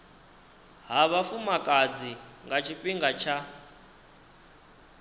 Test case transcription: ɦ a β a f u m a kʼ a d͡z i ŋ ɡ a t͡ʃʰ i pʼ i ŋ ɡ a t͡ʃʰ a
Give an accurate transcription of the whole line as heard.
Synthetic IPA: ɦ a β a f u m a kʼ a d͡z i ŋ ɡ a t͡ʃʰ i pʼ i ŋ ɡ a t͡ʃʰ a